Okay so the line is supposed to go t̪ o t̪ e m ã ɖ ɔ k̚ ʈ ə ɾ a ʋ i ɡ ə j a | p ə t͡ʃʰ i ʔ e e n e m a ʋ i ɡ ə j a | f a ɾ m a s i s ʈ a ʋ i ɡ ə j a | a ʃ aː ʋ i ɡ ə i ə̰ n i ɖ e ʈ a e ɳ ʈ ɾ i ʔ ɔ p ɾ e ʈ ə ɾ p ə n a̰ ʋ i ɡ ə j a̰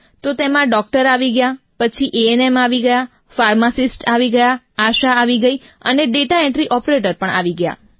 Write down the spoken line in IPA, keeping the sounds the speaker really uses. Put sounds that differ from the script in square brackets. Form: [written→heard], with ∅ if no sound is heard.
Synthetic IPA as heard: t̪ o t̪ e m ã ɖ ɔ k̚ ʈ ə ɾ a ʋ i ɡ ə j a | p ə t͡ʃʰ i ʔ e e n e m a ʋ i ɡ ə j a | f a ɾ m a s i s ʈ a ʋ i ɡ ə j a | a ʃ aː ʋ i ɡ ə i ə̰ n [i→e] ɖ e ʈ a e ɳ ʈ ɾ i ʔ ɔ p ɾ e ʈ ə ɾ p ə [n→ɳ] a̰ ʋ i ɡ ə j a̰